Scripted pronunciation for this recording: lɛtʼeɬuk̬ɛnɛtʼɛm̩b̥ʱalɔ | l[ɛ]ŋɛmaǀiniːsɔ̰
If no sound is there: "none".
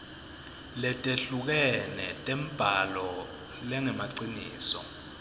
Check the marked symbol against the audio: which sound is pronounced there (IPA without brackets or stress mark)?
ɛ